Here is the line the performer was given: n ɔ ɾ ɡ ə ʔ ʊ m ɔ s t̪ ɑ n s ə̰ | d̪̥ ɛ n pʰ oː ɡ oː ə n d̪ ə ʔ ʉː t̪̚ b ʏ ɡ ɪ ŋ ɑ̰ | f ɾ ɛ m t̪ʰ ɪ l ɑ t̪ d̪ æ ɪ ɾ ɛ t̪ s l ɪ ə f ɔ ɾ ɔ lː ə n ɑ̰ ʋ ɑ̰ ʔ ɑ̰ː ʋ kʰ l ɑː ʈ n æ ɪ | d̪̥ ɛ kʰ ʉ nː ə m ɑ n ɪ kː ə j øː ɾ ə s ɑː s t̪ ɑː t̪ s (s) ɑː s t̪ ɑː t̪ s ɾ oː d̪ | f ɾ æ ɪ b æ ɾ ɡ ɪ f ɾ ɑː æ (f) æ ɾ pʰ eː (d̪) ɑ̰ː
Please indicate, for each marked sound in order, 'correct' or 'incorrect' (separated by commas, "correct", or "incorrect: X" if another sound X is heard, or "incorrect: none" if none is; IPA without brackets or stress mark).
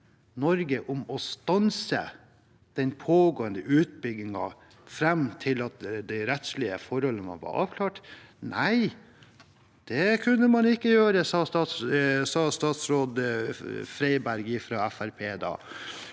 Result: correct, correct, correct